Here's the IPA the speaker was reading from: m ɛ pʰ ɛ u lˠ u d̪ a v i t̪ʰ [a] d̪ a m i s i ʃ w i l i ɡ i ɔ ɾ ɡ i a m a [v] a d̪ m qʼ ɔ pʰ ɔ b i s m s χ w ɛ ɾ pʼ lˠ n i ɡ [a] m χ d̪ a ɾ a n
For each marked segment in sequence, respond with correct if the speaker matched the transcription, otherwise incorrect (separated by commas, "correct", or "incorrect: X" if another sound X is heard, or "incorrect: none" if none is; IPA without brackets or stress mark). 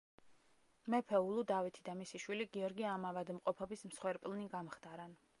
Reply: incorrect: i, correct, correct